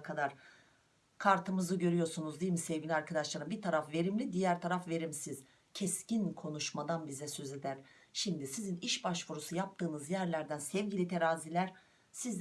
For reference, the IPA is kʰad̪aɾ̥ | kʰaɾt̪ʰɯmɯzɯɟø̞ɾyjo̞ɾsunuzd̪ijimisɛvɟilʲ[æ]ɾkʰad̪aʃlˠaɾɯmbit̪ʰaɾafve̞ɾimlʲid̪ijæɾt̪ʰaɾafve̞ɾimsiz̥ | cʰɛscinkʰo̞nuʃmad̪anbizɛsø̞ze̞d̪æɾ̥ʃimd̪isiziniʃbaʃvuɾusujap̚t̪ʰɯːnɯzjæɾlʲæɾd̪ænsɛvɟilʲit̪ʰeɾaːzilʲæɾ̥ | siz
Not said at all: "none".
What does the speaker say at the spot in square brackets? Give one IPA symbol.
a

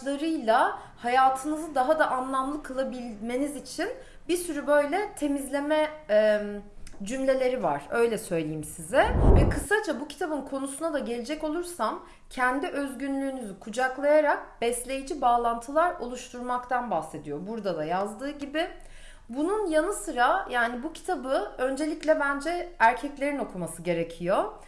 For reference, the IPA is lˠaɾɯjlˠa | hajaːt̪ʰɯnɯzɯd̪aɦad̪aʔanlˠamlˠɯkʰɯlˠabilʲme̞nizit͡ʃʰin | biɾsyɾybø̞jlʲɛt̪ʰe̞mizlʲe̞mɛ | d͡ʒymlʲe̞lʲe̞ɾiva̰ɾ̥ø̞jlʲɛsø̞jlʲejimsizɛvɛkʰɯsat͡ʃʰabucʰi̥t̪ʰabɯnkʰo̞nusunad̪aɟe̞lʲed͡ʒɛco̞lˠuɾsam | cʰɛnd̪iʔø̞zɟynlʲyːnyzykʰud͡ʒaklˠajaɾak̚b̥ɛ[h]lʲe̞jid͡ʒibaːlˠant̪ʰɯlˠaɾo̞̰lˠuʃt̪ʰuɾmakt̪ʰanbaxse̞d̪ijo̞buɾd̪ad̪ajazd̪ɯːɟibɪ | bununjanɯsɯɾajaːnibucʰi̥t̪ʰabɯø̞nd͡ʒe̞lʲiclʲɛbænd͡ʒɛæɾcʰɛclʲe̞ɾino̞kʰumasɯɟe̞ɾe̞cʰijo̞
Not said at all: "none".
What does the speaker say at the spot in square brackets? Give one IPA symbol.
s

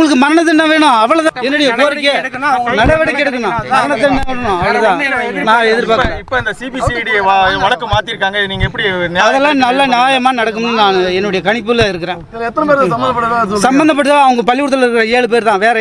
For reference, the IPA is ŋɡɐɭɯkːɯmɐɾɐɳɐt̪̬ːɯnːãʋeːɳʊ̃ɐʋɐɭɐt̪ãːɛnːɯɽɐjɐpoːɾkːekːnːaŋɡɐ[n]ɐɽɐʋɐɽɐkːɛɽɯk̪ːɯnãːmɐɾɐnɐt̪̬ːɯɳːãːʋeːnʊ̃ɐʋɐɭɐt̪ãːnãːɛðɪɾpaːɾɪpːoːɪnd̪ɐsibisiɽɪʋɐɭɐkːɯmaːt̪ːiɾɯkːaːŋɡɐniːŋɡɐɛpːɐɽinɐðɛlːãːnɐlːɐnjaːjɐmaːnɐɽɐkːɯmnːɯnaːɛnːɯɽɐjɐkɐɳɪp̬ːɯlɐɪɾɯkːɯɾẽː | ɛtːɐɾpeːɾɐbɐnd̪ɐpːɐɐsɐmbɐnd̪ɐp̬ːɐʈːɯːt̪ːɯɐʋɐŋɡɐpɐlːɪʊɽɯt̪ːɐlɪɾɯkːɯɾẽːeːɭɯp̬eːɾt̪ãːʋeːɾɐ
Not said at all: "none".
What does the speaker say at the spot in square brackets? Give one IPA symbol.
n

